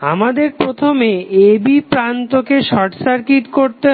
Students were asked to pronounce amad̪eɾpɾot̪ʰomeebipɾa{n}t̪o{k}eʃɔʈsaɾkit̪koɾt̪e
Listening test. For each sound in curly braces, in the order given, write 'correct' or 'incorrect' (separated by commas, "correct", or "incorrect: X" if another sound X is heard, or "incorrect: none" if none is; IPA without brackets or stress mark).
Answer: correct, correct